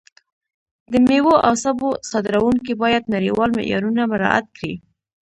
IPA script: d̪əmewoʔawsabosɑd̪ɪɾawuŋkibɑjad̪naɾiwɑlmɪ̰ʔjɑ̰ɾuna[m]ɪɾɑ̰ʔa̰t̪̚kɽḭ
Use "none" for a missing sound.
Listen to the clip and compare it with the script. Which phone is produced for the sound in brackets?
m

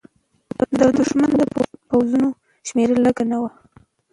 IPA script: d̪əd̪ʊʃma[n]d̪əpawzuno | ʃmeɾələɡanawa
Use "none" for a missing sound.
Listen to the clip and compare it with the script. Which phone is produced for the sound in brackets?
n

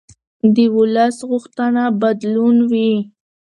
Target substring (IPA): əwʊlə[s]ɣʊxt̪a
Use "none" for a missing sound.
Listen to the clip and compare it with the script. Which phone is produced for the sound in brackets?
s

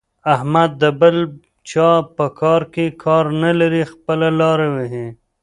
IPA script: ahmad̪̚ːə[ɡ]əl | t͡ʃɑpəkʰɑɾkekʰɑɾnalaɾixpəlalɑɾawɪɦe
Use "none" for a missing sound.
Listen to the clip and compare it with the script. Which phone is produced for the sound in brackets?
b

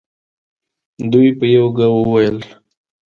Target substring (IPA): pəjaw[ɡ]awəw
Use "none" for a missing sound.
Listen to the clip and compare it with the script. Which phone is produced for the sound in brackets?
ɡ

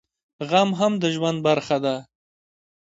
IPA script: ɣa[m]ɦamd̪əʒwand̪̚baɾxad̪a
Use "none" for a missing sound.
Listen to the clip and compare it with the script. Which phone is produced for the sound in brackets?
m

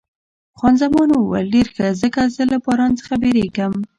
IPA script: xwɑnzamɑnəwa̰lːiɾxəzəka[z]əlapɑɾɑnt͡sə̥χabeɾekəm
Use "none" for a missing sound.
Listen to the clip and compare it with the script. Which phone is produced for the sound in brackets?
z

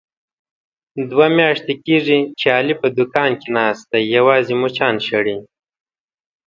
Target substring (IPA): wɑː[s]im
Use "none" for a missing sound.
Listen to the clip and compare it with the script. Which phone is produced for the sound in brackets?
z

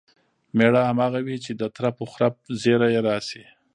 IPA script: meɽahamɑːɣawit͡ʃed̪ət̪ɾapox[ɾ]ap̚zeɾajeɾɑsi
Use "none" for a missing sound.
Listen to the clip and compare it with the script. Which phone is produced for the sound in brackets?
ɾ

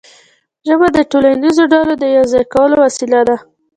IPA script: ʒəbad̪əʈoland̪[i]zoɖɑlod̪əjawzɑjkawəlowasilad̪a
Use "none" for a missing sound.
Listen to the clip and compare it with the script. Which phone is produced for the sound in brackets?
i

